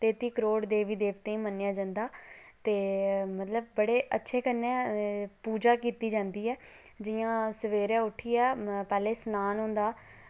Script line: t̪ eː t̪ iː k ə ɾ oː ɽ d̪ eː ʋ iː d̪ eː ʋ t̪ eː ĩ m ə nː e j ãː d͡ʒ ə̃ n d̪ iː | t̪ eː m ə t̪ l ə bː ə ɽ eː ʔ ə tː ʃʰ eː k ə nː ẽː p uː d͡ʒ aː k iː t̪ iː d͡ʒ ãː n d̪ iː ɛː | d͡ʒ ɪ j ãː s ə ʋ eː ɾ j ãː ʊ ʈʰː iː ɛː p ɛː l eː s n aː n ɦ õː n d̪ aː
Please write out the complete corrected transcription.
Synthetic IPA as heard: t̪ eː t̪ iː k ə ɾ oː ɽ d̪ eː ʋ iː d̪ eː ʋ t̪ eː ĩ m ə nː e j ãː d͡ʒ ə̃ n d̪ aː | t̪ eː m ə t̪ l ə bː ə ɽ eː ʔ ə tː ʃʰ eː k ə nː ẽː p uː d͡ʒ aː k iː t̪ iː d͡ʒ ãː n d̪ iː ɛː | d͡ʒ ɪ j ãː s ə ʋ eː ɾ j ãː ʊ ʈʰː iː ɛː p ɛː l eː s n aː n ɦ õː n d̪ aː